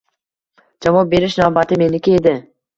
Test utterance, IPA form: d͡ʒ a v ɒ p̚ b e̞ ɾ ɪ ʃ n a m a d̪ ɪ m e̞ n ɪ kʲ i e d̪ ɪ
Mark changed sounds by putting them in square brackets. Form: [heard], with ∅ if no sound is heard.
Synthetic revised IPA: d͡ʒ a v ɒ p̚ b e̞ ɾ ɪ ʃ n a [b] a [t̪] ɪ m e̞ n ɪ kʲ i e d̪ ɪ

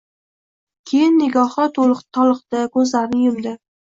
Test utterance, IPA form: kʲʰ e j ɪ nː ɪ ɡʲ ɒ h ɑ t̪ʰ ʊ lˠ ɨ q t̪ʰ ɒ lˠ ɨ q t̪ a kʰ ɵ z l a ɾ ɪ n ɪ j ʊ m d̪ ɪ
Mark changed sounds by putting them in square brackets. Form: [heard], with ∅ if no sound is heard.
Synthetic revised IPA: kʲʰ e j ɪ nː ɪ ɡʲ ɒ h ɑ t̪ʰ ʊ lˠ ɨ q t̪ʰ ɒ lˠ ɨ q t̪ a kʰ ɵ z l a ɾ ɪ n ɪ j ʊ m d̪ ɪ

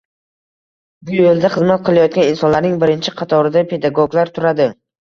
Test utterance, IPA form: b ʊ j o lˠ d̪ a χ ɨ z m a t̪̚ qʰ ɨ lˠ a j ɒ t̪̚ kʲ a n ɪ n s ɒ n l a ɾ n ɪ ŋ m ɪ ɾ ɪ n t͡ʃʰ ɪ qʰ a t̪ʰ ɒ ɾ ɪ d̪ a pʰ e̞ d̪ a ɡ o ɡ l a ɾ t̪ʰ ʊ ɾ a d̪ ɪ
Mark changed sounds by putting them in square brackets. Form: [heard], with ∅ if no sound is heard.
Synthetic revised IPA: b ʊ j o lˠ d̪ a χ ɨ z m a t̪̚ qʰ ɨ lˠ a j ɒ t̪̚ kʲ a n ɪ n s ɒ n l a ɾ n ɪ ŋ [b] ɪ ɾ ɪ n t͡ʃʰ ɪ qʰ [ɑ] t̪ʰ ɒ ɾ ɪ d̪ a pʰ e̞ d̪ a ɡ o ɡ l a ɾ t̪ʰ ʊ ɾ a d̪ ɪ

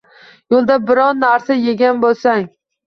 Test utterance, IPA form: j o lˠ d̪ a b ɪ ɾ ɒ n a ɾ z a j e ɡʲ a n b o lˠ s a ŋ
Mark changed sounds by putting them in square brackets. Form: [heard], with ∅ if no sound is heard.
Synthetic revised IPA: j o lˠ d̪ a b ɪ ɾ ɒ [nː] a ɾ [s] a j e ɡʲ a n b o lˠ s a ŋ

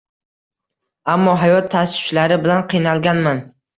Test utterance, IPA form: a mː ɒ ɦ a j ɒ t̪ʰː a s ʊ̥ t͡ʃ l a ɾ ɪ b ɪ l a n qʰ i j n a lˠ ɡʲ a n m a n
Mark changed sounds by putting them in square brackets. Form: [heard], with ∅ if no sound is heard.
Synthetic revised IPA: a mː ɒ ɦ a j ɒ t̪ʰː a s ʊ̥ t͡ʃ l a ɾ ɪ b ɪ l a n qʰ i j n a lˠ ɡʲ a n m a n

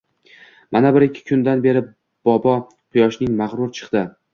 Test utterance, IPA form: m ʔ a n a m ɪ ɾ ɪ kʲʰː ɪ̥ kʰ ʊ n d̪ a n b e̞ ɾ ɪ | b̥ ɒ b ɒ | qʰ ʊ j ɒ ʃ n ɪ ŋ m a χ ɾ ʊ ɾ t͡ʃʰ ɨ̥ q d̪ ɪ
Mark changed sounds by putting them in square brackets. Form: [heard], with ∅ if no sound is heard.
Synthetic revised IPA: m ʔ a n a [b] ɪ ɾ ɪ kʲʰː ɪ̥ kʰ ʊ n d̪ a n b e̞ ɾ ɪ | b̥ ɒ b ɒ | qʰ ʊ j ɒ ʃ n ɪ ŋ m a [ʁ] ɾ ʊ ɾ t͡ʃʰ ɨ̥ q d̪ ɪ

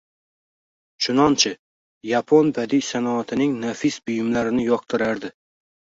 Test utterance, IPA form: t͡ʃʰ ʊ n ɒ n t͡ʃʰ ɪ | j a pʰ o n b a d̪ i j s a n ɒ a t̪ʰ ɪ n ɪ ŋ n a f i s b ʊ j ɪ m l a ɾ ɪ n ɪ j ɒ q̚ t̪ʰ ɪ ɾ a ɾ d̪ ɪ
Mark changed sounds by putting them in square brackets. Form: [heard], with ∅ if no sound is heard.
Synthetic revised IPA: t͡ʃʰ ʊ n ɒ n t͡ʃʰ ɪ | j a pʰ o n b a d̪ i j s a n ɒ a t̪ʰ ɪ n ɪ ŋ n a f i s b ʊ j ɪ m l a ɾ ɪ n ɪ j ɒ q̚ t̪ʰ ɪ ɾ a ɾ d̪ ɪ

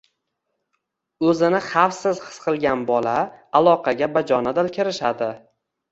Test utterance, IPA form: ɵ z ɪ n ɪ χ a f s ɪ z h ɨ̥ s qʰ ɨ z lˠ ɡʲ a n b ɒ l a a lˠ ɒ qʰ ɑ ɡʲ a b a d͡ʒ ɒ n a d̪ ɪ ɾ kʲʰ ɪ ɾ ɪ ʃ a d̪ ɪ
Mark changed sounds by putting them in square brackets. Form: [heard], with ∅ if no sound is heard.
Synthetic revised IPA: ɵ z ɪ n ɪ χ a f s ɪ z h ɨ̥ s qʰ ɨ [∅] lˠ ɡʲ a n b ɒ l a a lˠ ɒ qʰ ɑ ɡʲ a b a d͡ʒ ɒ n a d̪ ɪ [l] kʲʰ ɪ ɾ ɪ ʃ a d̪ ɪ

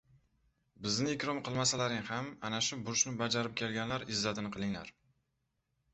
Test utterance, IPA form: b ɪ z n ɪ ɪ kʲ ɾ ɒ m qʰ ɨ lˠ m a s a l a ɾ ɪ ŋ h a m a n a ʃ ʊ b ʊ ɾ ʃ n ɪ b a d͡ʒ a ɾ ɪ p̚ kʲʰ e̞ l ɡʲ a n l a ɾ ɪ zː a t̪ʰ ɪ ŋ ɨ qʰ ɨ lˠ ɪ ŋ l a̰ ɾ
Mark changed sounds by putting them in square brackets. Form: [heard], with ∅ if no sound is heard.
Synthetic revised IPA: b ɪ z n ɪ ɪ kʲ ɾ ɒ m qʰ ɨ lˠ m a s a l a ɾ ɪ ŋ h a m a n a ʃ ʊ b ʊ ɾ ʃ n ɪ b a d͡ʒ a ɾ ɪ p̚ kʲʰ e̞ l ɡʲ a n l a ɾ ɪ zː a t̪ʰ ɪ [n] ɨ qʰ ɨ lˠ ɪ ŋ l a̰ ɾ

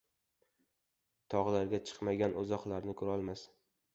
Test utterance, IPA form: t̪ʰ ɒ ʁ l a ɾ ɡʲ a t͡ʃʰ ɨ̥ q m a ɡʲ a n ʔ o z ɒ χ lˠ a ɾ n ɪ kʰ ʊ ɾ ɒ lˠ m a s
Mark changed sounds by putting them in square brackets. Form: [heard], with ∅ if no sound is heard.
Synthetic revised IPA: t̪ʰ ɒ ʁ l a ɾ ɡʲ a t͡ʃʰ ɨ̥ q m a ɡʲ a n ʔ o z ɒ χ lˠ a ɾ n ɪ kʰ ʊ ɾ ɒ lˠ m a s

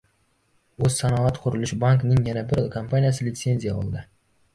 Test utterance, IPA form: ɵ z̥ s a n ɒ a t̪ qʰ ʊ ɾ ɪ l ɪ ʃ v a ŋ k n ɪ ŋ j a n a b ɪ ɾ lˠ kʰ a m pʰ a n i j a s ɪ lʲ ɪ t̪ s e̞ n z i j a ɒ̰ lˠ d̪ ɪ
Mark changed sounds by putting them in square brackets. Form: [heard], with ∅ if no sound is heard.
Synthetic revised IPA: ɵ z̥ s a n ɒ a t̪ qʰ ʊ ɾ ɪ l ɪ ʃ [b] a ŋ k n ɪ ŋ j a n a b ɪ ɾ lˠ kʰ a m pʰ a n i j a s ɪ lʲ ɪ t̪ s e̞ n z i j a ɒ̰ lˠ d̪ ɪ

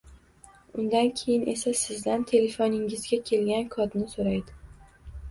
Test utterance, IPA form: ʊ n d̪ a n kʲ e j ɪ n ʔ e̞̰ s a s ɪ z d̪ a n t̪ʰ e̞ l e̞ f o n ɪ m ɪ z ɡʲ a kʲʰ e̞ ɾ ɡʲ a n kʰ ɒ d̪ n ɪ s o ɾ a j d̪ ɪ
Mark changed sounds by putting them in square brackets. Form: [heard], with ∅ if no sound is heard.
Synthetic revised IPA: ʊ n d̪ a n [kʲʰ] e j ɪ n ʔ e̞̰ s a s ɪ z d̪ a n t̪ʰ e̞ l e̞ f o n ɪ [ŋ] ɪ z ɡʲ a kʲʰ e̞ [l] ɡʲ a n kʰ ɒ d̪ n ɪ s o ɾ a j d̪ ɪ

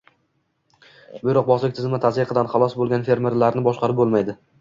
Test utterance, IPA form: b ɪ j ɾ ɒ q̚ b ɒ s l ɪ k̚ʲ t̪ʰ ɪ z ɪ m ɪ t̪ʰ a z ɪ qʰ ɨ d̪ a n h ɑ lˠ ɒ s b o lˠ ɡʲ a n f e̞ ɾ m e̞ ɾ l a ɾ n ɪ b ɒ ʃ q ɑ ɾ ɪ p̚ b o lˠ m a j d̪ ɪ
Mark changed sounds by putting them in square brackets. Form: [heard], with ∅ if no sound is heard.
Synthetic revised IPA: b ɪ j ɾ ɒ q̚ b ɒ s l ɪ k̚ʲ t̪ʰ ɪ z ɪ m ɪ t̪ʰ a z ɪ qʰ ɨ d̪ a n [χ] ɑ lˠ ɒ s b o lˠ ɡʲ a n f e̞ ɾ m e̞ ɾ l a ɾ n ɪ b ɒ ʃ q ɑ ɾ ɪ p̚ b o lˠ m a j d̪ ɪ

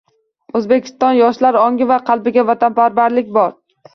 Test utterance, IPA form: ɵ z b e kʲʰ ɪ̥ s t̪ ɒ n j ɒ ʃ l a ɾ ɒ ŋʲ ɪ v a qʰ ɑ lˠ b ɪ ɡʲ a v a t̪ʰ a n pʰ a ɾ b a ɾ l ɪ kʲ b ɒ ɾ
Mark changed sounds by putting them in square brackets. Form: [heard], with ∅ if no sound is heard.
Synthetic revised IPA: ɵ z b e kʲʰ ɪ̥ s t̪ ɒ n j ɒ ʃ l a ɾ ɒ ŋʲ ɪ v a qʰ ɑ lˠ b ɪ ɡʲ a v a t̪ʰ a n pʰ a ɾ b a ɾ l ɪ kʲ b ɒ ɾ

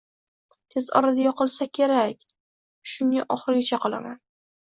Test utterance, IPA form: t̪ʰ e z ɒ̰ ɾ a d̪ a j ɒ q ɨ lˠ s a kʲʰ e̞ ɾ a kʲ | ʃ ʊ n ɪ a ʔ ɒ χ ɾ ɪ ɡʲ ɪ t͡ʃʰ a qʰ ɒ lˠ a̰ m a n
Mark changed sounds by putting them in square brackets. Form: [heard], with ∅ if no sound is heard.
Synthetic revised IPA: t̪ʰ e z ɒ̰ ɾ a d̪ a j ɒ q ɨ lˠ s a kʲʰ e̞ ɾ a kʲ | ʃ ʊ n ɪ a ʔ ɒ χ ɾ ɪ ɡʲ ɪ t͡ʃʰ a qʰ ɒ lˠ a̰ m a n

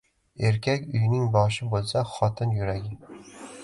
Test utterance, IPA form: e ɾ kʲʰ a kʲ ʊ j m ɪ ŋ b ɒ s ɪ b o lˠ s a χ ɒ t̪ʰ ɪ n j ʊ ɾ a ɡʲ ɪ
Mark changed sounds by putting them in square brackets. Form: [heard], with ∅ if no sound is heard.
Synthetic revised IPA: e ɾ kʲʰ a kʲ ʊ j [n] ɪ ŋ b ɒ [ʃ] ɪ b o lˠ s a χ ɒ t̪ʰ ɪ n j ʊ ɾ a ɡʲ ɪ

